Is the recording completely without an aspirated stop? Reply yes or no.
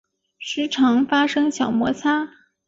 no